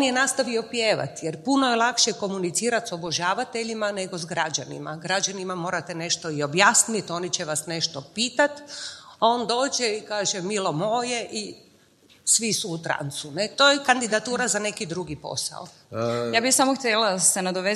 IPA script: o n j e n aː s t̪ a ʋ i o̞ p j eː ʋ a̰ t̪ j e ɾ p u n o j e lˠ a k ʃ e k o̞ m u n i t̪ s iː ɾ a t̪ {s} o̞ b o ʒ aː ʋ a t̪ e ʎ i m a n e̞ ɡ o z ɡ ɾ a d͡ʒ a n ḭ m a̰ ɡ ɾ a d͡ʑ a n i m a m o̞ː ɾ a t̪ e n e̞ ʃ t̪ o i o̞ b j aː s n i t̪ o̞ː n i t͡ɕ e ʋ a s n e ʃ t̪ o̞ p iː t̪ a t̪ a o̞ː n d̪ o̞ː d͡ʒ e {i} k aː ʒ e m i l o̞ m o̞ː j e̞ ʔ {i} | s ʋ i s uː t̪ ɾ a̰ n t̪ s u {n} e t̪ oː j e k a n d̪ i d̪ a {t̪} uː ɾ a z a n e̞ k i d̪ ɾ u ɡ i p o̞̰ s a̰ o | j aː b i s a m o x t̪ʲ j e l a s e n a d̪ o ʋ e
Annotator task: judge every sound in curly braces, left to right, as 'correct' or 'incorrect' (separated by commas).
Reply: correct, correct, correct, correct, correct